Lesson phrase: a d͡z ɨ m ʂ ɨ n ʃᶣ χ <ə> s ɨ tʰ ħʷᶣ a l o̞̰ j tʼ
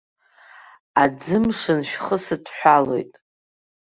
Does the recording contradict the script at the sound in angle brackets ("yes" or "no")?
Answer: no